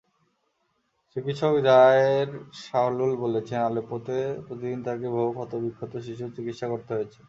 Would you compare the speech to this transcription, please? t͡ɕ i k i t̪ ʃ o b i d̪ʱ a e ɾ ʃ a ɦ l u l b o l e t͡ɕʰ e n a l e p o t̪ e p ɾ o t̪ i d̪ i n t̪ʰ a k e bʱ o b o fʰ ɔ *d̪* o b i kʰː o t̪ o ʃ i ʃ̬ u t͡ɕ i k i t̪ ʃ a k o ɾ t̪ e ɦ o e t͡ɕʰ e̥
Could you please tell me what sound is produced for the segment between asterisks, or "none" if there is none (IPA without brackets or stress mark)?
t̪